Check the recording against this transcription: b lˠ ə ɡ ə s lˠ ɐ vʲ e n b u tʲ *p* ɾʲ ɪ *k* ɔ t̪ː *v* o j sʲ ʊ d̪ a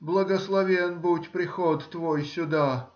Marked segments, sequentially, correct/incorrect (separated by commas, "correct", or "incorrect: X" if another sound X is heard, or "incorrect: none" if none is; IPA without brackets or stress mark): correct, incorrect: x, correct